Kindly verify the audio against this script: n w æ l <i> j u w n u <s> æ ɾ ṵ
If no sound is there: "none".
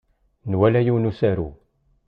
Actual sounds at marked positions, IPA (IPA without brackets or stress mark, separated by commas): æ, s